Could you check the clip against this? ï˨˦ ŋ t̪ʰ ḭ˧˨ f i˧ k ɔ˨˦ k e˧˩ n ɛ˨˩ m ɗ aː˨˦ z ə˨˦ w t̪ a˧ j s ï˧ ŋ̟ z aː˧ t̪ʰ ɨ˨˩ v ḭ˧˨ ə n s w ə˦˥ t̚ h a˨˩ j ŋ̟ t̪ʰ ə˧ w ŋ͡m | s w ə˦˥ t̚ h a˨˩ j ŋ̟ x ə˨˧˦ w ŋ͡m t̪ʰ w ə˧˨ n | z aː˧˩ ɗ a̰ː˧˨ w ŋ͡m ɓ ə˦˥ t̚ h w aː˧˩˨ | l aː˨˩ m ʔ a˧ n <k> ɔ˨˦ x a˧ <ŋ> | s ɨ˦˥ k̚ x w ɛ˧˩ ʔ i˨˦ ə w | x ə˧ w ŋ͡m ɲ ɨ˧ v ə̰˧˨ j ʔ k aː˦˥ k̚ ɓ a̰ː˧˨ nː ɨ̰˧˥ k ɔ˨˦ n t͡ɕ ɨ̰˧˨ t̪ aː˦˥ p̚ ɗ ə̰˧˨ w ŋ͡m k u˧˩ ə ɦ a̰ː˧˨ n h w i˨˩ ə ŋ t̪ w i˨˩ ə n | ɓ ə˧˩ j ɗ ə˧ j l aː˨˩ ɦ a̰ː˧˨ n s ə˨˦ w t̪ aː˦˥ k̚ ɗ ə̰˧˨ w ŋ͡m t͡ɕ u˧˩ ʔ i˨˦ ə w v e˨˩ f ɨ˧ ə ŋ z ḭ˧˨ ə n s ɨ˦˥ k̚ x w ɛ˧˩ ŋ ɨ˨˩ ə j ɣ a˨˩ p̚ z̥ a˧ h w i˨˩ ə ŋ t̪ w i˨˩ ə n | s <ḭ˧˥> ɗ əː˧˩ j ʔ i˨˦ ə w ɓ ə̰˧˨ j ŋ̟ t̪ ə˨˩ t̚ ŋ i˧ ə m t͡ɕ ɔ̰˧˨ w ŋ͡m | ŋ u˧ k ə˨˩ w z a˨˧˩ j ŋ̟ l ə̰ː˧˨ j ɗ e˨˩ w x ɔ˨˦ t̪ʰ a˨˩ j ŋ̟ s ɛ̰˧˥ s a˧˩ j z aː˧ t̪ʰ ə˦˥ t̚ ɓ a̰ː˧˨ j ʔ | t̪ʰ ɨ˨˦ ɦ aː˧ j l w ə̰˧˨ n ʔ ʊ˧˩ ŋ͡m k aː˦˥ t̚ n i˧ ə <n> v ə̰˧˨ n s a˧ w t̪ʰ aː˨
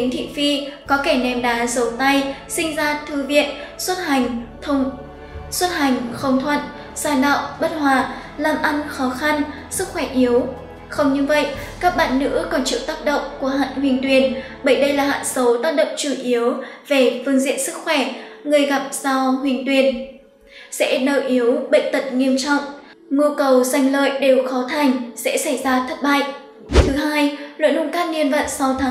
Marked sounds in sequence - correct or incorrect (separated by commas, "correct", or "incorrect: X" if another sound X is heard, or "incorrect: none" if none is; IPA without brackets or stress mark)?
incorrect: x, incorrect: n, incorrect: ɛ̰˧˥, correct